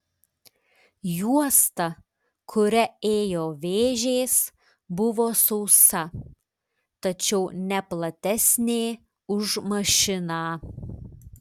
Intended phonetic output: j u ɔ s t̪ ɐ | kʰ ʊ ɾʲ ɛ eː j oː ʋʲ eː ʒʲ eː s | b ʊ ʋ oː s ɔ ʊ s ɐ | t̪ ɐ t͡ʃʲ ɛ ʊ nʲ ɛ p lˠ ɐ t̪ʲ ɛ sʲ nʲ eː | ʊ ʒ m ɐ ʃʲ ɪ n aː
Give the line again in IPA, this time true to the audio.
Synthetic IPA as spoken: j u ɔ s t̪ ɐ | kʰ ʊ ɾʲ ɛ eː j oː ʋʲ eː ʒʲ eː s | b ʊ ʋ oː s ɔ ʊ s ɐ | t̪ ɐ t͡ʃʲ ɛ ʊ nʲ ɛ p lˠ ɐ t̪ʲ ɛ sʲ nʲ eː | ʊ ʒ m ɐ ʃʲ ɪ n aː